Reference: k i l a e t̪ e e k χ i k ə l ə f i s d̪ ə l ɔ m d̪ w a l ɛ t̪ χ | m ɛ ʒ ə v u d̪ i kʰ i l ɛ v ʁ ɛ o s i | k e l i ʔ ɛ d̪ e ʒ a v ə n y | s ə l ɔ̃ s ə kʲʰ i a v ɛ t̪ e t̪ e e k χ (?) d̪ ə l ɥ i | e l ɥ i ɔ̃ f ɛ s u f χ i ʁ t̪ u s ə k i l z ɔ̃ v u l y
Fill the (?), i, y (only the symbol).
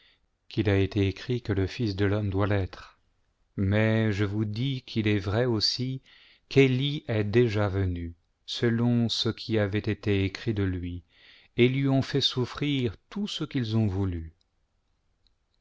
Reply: i